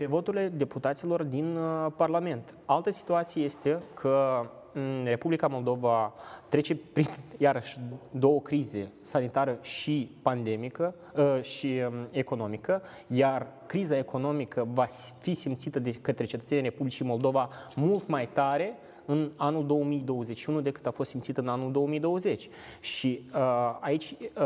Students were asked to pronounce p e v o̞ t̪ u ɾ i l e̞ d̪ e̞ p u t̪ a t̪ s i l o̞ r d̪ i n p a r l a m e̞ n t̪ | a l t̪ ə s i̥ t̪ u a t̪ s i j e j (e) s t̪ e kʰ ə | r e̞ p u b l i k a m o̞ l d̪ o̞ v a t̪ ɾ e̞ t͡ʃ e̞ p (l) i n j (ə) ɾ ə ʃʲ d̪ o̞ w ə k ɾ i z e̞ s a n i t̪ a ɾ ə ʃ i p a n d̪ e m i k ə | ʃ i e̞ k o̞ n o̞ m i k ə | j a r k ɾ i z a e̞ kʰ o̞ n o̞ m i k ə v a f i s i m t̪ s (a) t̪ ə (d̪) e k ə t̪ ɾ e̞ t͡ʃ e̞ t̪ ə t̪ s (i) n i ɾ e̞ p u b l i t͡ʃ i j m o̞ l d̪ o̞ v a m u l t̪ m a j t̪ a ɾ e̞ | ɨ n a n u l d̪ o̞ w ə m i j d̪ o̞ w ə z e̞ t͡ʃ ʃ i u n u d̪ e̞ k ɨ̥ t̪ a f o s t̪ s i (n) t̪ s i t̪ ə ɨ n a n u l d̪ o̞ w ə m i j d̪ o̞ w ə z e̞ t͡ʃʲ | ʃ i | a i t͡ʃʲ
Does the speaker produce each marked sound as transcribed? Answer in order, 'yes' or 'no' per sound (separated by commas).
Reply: yes, no, no, no, yes, no, no